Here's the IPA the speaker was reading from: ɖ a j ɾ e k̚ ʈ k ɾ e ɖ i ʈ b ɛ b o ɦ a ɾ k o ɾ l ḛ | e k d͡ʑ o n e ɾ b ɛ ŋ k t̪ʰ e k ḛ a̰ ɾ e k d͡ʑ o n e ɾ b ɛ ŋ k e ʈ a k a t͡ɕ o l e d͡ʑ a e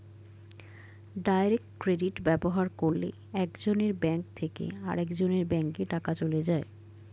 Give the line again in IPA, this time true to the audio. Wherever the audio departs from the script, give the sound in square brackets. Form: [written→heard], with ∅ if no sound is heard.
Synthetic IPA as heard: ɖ a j ɾ e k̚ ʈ k ɾ e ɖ i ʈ b ɛ b o ɦ a ɾ k o ɾ l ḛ | [e→ɛ] k d͡ʑ o n e ɾ b ɛ ŋ k t̪ʰ e k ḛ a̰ ɾ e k d͡ʑ o n e ɾ b ɛ ŋ k e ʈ a k a t͡ɕ o l e d͡ʑ a e